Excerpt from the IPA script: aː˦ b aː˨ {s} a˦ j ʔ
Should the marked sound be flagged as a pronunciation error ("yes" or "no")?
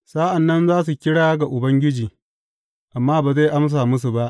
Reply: yes